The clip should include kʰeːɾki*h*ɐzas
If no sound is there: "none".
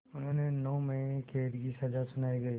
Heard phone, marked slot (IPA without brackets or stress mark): s